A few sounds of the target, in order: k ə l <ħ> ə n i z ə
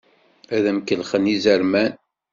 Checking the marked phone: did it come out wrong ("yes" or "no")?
yes